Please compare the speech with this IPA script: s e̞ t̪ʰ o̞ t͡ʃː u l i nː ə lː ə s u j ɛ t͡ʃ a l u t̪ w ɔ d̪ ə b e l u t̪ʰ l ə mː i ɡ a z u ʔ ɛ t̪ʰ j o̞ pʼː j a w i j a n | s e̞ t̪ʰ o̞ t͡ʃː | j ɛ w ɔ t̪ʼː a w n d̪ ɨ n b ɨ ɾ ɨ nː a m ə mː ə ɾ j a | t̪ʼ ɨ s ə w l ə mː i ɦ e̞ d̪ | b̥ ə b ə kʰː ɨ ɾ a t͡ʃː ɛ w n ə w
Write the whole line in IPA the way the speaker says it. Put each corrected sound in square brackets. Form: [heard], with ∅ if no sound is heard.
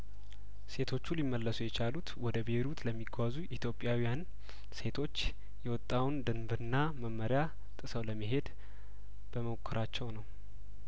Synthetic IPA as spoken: s e̞ t̪ʰ o̞ t͡ʃː u l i [mː] ə lː ə s u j ɛ t͡ʃ a l u t̪ w ɔ d̪ ə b e [ɾ] u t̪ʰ l ə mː i ɡ a z u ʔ [i] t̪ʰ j o̞ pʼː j a w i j a n | s e̞ t̪ʰ o̞ t͡ʃː | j ɛ w ɔ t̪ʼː a w n d̪ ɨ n b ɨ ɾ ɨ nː a m ə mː ə ɾ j a | t̪ʼ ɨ s ə w l ə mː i ɦ e̞ d̪ | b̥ ə [m] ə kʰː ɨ ɾ a t͡ʃː ɛ w n ə w